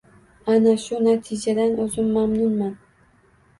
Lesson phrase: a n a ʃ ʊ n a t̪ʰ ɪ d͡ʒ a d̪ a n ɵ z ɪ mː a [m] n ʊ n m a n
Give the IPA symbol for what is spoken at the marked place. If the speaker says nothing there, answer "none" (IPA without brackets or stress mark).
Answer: m